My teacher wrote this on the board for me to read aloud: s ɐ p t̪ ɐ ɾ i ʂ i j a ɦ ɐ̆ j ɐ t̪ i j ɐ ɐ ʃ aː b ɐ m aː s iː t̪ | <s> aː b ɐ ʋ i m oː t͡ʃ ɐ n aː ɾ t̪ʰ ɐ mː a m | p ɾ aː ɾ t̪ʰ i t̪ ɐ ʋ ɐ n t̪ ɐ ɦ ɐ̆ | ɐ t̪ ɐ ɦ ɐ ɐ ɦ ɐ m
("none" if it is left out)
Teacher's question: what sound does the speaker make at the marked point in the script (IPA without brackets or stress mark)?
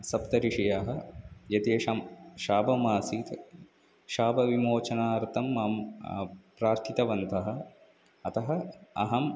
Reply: ʃ